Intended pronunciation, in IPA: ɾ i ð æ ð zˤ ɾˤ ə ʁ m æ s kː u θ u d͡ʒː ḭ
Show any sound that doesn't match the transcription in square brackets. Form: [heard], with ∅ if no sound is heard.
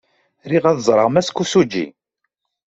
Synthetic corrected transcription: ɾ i [ʁ] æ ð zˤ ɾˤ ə ʁ m æ s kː u [s] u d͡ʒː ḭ